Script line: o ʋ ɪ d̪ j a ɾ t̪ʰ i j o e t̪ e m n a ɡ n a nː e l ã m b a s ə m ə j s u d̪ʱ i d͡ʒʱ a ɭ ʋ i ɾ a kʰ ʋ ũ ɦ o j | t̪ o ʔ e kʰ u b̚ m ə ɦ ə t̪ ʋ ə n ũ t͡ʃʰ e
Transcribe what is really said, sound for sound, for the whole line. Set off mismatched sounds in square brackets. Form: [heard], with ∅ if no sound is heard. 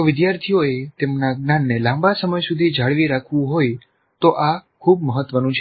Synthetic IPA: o ʋ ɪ d̪ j a ɾ t̪ʰ i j o e t̪ e m n a ɡ n a nː e l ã m b a s ə m ə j s u d̪ʱ i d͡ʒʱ a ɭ ʋ i ɾ a kʰ ʋ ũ ɦ o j | t̪ o ʔ [a] kʰ u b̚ m ə ɦ ə t̪ ʋ ə n ũ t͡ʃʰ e